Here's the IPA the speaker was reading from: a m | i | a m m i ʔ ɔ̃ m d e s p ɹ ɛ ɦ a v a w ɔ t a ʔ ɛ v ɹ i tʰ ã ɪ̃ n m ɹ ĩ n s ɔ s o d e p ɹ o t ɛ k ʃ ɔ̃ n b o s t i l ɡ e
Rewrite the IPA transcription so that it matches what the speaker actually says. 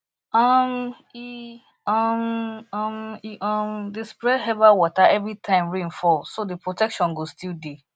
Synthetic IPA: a m | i | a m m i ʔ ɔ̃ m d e s p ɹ ɛ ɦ ɛ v a w ɔ t a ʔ ɛ v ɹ i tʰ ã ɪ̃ m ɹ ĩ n f ɔ s o d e p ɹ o t ɛ k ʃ ɔ̃ n ɡ o s t i l d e